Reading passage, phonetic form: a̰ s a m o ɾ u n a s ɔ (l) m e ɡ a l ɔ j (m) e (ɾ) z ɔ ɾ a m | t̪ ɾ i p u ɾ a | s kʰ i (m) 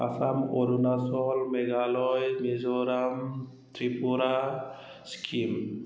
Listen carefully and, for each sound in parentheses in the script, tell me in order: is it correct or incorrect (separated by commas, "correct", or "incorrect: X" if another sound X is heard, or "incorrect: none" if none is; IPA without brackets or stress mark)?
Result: correct, correct, incorrect: none, correct